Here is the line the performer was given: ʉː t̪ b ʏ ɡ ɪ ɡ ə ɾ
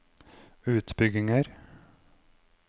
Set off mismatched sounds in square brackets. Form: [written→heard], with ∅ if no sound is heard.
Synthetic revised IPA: ʉː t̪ b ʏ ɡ ɪ [ɡ→ŋ] ə ɾ